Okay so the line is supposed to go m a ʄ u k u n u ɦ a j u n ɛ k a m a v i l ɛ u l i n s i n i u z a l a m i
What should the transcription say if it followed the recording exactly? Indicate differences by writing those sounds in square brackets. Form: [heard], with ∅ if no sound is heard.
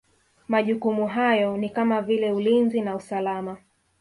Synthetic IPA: m a ʄ u k u [m] u ɦ a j [ɔ] n [i] k a m a v i l ɛ u l i n [z] i n [a] u [s] a l a m [a]